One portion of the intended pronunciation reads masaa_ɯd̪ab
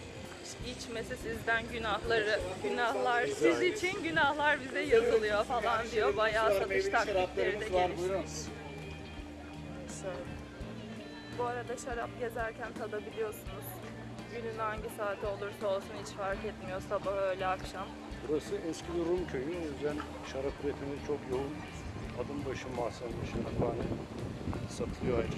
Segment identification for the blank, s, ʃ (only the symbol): ʃ